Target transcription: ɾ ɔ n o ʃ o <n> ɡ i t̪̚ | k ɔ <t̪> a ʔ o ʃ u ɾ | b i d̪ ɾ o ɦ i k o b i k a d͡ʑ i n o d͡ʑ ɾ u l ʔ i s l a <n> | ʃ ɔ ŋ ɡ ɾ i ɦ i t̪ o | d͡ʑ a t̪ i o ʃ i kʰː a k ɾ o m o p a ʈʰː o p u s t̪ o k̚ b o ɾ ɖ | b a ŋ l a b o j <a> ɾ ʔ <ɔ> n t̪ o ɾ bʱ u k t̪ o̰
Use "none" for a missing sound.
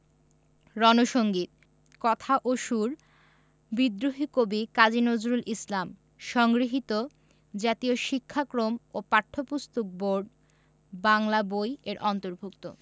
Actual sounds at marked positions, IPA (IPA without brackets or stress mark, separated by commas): ŋ, t̪ʰ, m, e, ɔ